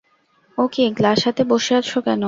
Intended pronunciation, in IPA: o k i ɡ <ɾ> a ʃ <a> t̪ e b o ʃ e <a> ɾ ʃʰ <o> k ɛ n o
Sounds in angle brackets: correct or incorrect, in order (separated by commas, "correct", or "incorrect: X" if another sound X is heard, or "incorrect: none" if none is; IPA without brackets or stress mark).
incorrect: l, correct, correct, correct